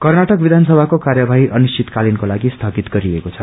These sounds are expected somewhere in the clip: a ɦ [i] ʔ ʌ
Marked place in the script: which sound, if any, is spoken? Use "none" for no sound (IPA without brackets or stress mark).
i